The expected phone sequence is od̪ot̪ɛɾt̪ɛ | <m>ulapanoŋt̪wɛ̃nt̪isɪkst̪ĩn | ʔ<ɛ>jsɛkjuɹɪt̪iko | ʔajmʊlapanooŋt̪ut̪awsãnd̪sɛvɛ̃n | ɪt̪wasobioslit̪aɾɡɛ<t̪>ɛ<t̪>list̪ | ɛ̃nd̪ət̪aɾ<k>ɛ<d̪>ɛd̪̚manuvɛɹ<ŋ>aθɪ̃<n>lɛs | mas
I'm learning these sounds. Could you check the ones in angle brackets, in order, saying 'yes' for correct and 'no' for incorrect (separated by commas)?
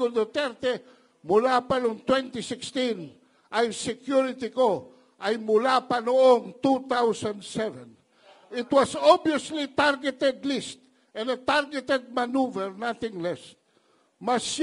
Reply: yes, no, yes, no, no, no, no, no